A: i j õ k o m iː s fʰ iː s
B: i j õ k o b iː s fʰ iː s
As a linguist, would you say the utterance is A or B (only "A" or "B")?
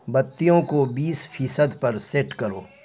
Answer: B